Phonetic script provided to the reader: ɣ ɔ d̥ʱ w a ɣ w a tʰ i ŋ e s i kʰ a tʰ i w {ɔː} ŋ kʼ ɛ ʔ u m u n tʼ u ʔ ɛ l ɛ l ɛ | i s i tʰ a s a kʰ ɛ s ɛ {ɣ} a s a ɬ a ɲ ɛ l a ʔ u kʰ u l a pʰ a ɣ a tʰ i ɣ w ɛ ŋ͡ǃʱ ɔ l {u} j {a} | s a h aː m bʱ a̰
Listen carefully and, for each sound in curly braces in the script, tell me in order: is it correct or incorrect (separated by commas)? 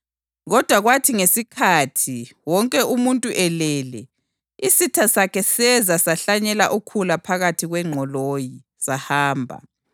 incorrect, incorrect, incorrect, incorrect